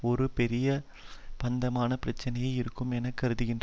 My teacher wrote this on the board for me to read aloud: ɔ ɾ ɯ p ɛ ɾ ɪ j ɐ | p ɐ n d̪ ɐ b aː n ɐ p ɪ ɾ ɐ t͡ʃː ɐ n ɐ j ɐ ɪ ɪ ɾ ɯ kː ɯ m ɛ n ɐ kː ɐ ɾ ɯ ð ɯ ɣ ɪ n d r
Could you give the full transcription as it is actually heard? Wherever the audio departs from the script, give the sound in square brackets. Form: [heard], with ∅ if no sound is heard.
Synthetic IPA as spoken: ɔ ɾ ɯ p ɛ ɾ ɪ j ɐ | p ɐ n d̪ ɐ [m] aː n ɐ p ɪ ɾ ɐ t͡ʃː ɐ n ɐ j ɐ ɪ ɪ ɾ ɯ kː ɯ m ɛ n ɐ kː ɐ ɾ ɯ ð ɯ ɣ ɪ n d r